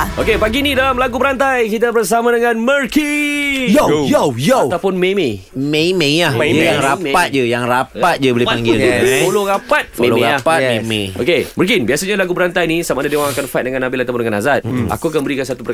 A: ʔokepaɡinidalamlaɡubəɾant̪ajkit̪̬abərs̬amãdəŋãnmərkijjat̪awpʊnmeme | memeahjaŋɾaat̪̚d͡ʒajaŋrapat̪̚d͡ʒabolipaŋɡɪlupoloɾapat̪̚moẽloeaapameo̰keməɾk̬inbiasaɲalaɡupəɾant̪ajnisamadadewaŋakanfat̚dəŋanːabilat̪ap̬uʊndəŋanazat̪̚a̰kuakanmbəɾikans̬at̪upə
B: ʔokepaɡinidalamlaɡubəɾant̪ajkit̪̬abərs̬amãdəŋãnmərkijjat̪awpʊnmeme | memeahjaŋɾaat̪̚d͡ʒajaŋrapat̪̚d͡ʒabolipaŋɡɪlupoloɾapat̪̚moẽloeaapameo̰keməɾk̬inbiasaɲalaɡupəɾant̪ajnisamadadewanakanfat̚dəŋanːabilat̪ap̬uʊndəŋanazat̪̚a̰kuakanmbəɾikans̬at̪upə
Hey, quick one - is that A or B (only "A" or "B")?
A